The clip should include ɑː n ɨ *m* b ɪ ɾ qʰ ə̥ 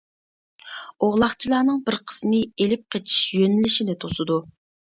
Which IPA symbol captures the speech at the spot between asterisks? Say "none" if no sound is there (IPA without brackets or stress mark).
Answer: ŋ